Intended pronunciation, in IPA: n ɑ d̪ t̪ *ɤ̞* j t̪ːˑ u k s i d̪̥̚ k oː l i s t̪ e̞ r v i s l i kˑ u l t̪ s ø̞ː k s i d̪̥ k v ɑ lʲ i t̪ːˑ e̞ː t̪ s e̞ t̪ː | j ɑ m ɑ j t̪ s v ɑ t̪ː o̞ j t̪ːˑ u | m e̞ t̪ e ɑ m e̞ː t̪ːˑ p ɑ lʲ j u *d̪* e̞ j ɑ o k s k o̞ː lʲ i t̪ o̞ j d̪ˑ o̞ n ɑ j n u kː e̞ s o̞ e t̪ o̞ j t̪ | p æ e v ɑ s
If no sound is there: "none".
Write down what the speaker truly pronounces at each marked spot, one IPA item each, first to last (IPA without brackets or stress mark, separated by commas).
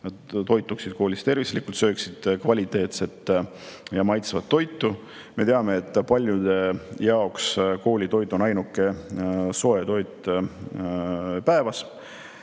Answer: o̞, d̪